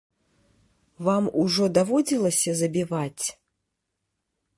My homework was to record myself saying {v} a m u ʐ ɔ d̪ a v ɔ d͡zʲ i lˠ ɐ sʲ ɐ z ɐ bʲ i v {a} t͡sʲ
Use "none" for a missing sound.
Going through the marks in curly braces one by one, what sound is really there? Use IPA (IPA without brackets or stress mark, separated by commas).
v, a